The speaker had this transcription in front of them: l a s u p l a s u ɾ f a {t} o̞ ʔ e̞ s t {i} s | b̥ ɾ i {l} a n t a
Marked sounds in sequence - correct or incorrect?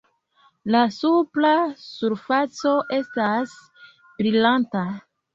incorrect: t͡s, incorrect: a, correct

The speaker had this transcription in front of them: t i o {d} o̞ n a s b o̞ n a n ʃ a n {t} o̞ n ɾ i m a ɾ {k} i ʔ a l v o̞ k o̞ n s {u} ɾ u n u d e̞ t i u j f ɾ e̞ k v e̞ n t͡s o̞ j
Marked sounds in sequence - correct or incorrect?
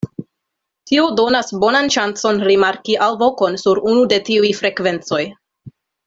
correct, incorrect: t͡s, correct, correct

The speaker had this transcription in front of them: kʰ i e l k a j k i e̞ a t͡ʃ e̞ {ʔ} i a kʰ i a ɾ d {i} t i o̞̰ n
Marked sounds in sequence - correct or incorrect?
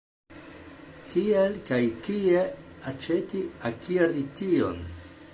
incorrect: t, correct

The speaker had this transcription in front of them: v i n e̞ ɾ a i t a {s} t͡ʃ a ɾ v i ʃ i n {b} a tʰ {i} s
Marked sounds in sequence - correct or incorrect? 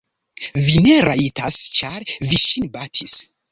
correct, correct, correct

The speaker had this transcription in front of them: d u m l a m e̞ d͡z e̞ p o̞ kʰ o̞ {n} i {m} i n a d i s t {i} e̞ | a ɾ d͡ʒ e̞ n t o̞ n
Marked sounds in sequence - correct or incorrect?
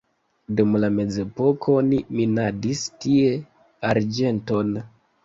correct, correct, correct

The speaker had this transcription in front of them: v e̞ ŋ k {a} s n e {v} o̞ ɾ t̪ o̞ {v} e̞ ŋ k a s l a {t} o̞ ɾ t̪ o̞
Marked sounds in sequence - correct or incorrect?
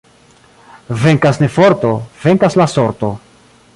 correct, incorrect: f, correct, incorrect: s

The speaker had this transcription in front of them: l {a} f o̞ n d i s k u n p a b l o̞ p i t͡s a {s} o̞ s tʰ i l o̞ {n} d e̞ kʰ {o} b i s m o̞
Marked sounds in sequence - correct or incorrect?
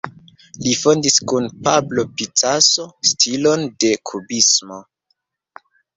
incorrect: i, correct, correct, incorrect: u

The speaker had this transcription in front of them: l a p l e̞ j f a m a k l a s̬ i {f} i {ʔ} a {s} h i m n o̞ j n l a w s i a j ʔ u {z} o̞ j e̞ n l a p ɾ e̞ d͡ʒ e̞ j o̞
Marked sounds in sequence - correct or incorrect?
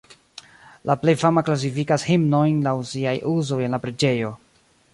correct, incorrect: k, correct, correct

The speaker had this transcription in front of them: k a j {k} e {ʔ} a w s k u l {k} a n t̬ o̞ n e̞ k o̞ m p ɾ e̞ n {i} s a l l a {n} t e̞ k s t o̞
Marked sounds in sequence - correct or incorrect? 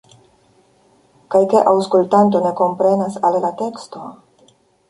correct, correct, incorrect: t, incorrect: a, incorrect: none

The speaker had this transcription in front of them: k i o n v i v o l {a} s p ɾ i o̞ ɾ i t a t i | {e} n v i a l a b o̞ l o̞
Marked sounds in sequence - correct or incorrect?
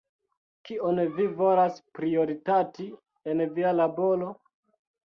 correct, correct

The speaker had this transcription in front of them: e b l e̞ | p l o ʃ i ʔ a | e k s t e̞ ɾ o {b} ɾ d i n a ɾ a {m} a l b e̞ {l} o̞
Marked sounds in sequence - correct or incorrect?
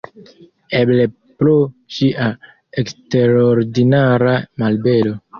incorrect: none, correct, correct

